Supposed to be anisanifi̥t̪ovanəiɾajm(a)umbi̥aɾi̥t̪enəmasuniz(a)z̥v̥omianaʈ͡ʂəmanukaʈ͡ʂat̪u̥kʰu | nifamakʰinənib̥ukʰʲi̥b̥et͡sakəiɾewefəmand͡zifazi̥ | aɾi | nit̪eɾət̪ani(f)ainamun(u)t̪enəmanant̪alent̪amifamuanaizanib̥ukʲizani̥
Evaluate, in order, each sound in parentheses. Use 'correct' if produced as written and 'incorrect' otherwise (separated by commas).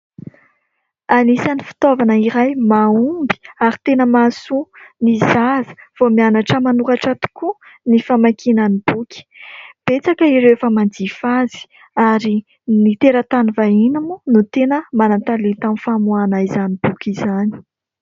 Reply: correct, correct, incorrect, correct